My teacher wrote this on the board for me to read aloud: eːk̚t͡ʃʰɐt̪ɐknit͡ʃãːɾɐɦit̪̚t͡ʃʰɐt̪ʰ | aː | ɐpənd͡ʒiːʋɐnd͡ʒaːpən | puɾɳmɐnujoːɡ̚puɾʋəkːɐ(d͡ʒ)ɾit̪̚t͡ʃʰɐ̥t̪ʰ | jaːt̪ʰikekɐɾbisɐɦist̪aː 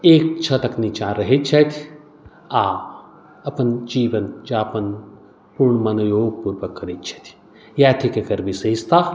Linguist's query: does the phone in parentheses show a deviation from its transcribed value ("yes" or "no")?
yes